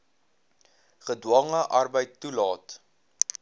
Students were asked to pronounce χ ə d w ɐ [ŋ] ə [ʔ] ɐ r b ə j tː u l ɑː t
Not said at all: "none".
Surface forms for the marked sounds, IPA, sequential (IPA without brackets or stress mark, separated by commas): ŋ, ʔ